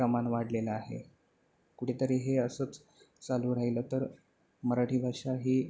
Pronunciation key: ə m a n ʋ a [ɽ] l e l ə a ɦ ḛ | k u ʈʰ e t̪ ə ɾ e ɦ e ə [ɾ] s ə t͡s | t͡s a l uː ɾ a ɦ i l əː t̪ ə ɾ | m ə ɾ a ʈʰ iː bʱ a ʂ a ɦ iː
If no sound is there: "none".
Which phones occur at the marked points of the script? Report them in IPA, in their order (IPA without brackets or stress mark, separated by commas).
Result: ɽ, none